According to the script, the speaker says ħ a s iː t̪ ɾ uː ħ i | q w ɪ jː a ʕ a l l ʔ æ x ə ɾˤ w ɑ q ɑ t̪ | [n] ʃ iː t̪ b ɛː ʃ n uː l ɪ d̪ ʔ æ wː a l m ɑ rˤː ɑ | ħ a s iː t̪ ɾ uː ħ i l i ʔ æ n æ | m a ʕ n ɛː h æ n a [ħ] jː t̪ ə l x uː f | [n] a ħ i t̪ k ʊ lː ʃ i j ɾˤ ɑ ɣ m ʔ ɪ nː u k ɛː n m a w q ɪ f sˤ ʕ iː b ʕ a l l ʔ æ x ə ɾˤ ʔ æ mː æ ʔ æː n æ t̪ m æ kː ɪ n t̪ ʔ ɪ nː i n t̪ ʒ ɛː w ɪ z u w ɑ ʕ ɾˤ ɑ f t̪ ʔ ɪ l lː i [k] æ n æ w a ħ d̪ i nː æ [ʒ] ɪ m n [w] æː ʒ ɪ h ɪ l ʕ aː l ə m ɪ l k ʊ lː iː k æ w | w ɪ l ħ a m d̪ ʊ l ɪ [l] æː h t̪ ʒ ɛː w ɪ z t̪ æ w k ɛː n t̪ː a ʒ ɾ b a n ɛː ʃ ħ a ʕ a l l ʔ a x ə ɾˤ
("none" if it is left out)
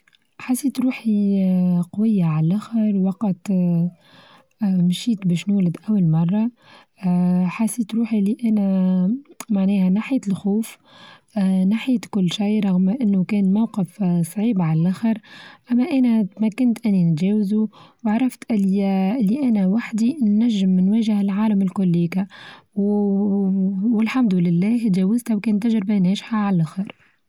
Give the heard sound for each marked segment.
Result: m, ħ, n, ʔ, ʒː, w, lː

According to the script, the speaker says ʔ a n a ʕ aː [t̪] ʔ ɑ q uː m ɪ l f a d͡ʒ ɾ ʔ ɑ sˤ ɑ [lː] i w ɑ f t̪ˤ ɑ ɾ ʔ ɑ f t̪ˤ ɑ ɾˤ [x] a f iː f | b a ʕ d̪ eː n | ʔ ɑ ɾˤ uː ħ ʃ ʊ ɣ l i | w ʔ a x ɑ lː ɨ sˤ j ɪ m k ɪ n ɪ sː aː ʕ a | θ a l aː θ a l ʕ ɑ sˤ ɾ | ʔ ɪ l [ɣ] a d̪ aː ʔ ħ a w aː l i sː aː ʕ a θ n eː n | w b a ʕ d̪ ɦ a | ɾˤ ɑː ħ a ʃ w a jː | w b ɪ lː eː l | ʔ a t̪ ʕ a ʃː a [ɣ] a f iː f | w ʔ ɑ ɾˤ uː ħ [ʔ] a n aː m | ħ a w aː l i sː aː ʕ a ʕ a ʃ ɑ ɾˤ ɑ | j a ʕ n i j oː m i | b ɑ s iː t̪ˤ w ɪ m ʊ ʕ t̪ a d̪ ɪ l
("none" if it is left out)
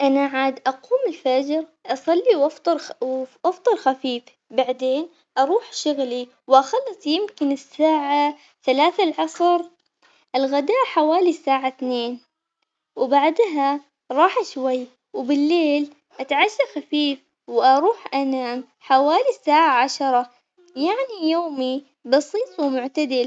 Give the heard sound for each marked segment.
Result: d̪, lː, x, ɣ, x, ʔ

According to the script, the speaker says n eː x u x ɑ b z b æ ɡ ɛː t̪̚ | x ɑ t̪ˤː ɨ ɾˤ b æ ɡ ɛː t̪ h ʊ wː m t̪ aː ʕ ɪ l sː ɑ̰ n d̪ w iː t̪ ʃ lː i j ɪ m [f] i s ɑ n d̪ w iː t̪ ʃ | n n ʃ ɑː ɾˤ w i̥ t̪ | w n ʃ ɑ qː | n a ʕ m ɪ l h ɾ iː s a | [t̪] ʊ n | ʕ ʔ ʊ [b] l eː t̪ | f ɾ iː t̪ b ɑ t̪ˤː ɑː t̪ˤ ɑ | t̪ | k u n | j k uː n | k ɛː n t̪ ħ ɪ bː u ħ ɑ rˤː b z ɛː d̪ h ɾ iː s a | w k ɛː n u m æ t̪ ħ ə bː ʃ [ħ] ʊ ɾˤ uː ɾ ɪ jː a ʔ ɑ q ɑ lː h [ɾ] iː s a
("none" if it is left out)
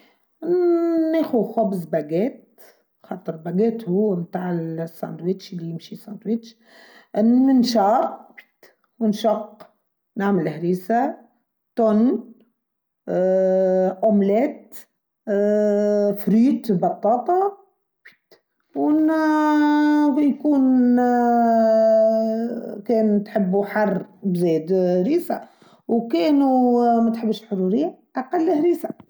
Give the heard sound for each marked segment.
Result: ʃ, t̪, m, ħ, ɾ

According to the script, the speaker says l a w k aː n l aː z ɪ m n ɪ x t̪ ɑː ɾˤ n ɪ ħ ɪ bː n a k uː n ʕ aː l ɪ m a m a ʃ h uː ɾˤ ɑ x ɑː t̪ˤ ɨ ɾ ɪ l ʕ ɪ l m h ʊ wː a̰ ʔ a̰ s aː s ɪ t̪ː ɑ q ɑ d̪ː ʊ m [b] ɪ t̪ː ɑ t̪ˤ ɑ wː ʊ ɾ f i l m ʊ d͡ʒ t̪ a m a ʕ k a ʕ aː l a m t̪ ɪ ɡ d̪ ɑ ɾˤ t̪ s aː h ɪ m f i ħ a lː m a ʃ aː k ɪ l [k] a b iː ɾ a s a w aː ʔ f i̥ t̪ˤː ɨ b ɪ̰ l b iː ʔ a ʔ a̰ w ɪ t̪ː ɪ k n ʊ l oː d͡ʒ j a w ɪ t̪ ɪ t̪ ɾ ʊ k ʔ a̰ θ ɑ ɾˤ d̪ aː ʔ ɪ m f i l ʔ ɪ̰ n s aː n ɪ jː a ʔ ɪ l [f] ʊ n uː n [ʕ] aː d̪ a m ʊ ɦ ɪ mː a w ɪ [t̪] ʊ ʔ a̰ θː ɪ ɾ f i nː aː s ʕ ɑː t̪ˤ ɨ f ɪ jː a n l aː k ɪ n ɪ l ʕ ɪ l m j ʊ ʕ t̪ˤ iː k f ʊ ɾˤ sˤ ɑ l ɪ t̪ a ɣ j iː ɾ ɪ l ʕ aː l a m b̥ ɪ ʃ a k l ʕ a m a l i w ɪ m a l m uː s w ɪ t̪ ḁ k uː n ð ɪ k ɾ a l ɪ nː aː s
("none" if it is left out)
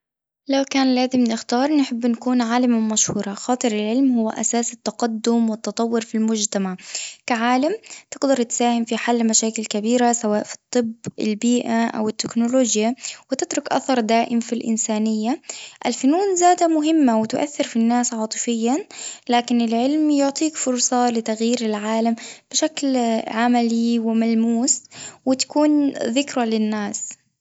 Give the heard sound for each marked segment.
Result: w, k, f, z, t̪

